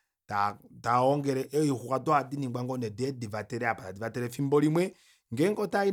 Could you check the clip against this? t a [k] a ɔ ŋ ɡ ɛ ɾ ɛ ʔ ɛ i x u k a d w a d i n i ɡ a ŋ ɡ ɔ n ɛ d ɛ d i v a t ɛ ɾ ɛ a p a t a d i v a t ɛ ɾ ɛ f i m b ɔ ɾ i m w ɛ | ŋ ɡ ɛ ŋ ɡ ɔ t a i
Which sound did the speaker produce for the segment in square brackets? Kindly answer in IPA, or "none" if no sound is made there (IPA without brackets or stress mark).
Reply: t